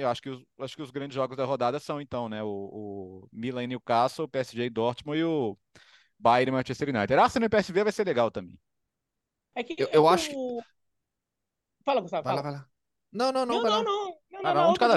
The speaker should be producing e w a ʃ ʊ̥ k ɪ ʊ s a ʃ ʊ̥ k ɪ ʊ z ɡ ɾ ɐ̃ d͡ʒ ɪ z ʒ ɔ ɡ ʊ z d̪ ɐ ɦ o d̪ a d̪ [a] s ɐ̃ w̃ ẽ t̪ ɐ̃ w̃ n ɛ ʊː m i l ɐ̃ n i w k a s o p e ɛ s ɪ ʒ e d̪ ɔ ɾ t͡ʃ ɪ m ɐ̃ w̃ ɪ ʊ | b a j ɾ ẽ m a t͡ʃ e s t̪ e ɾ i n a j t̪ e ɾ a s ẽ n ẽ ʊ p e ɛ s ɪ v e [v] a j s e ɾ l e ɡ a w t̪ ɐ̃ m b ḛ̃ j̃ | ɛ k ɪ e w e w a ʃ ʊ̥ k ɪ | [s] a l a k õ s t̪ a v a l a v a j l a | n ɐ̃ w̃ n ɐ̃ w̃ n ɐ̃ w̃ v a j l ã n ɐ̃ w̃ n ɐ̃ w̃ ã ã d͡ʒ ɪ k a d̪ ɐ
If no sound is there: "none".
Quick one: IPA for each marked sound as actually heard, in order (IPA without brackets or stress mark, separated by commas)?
ɐ, v, f